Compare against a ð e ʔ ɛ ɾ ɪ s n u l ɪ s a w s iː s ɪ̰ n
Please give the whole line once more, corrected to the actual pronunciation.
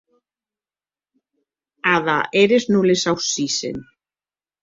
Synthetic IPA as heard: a ð a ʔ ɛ ɾ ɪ s n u l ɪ s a w s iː s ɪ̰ n